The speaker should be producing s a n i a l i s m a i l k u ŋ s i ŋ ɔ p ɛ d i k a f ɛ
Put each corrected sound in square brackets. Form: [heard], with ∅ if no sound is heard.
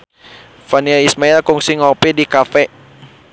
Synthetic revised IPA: [f] a n i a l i s m a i l k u ŋ s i ŋ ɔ p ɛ d i k a f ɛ